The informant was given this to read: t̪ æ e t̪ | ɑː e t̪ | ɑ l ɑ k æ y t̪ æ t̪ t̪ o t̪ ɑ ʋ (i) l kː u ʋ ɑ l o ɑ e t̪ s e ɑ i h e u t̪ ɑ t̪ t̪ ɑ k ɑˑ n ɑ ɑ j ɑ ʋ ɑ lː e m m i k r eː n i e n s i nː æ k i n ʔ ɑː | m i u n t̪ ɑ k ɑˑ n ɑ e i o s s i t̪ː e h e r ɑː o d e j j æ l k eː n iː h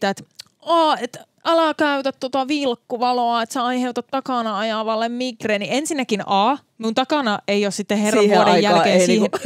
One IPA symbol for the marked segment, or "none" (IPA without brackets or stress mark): i